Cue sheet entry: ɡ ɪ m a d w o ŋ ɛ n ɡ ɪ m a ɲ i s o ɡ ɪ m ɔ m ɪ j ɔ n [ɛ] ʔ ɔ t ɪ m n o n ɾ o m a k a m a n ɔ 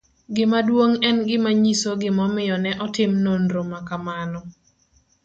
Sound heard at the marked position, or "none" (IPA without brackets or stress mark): ɛ